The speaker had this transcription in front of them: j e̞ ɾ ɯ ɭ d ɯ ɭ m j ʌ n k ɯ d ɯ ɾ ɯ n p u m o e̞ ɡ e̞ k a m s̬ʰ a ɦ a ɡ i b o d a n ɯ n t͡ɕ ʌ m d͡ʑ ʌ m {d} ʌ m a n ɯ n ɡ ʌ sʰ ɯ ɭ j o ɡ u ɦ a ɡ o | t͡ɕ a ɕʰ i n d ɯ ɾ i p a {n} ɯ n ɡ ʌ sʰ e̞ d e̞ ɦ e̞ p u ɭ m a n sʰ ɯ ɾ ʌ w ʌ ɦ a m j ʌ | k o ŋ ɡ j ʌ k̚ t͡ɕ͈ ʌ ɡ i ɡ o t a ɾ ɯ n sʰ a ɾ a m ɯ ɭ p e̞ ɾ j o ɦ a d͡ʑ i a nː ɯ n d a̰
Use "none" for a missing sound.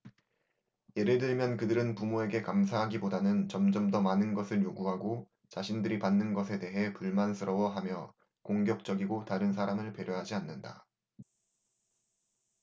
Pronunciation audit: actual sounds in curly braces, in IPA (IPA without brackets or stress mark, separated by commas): d, nː